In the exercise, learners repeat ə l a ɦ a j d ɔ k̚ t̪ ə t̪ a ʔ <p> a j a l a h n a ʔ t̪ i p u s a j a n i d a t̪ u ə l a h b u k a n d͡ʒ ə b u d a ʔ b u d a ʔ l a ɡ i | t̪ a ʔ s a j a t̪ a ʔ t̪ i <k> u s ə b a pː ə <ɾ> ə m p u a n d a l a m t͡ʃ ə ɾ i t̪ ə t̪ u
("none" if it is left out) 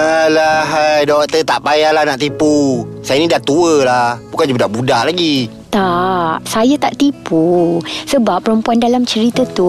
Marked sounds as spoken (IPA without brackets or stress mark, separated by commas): p, p, ɾ